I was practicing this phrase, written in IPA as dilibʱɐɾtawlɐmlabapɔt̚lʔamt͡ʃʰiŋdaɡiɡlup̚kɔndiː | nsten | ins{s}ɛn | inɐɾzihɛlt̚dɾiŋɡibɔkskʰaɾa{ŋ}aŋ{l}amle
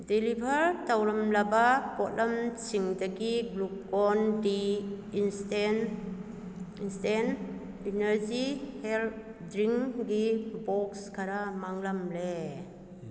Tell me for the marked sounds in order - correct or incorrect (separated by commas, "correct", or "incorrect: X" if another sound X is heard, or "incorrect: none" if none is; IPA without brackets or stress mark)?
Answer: incorrect: t, incorrect: m, correct